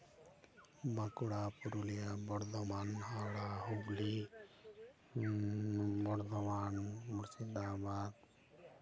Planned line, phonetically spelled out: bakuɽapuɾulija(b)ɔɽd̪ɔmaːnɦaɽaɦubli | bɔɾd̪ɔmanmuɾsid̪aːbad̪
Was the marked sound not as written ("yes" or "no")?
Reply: no